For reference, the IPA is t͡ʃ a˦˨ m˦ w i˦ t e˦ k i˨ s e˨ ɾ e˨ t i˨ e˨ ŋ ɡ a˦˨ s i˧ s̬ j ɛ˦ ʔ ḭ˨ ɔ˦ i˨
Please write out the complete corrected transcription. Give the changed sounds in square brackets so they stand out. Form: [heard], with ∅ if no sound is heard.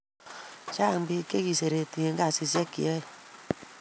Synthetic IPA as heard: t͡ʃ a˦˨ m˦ [b] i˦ [k] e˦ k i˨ s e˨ ɾ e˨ t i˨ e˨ ŋ ɡ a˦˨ s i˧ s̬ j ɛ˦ [k] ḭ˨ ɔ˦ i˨